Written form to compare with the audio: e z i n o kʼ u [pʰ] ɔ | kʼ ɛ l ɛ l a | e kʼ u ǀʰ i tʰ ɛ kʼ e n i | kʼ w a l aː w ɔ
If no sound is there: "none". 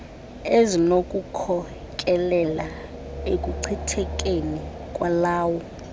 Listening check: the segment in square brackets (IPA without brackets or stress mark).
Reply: kʰ